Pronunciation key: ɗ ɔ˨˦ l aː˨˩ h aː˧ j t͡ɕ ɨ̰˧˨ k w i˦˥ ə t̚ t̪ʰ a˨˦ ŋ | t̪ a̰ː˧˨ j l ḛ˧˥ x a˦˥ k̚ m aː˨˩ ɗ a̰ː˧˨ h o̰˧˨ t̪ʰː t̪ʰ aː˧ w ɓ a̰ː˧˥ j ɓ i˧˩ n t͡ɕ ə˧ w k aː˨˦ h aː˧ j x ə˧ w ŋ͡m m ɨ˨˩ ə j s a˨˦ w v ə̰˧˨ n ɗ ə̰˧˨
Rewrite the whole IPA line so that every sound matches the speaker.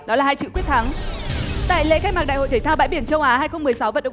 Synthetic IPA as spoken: ɗ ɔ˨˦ l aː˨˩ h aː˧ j t͡ɕ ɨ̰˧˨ k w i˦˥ ə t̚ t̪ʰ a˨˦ ŋ | t̪ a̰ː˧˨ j l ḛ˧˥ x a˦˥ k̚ m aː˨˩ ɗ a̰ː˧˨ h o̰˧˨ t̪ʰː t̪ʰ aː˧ w ɓ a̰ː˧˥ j ɓ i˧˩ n t͡ɕ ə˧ w ʔ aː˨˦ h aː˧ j x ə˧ w ŋ͡m m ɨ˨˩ ə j s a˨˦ w v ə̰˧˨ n ɗ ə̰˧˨